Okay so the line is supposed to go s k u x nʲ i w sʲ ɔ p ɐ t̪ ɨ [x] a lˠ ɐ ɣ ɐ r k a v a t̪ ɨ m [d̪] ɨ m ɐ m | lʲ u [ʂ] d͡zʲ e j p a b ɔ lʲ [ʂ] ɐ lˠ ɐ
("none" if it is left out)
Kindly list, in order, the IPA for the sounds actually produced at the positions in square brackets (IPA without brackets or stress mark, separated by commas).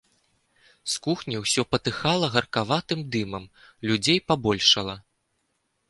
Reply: x, d̪, none, ʂ